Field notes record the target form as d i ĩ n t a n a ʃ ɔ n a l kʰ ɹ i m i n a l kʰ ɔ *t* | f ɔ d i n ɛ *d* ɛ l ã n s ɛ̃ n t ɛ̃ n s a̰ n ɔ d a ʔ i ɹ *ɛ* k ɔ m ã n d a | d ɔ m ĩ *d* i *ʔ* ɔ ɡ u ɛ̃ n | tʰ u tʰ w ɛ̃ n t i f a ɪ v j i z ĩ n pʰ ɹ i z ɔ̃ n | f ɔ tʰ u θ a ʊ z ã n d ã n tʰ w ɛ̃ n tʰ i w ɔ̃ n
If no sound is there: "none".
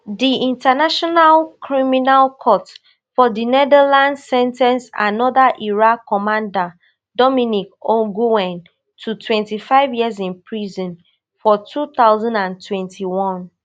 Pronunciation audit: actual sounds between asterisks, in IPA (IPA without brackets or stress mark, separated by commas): t, d, a, n, k